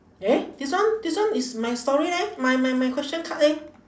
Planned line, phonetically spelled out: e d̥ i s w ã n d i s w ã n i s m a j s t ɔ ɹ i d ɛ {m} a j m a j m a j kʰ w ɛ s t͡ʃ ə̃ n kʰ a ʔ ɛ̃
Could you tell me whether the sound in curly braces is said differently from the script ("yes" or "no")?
no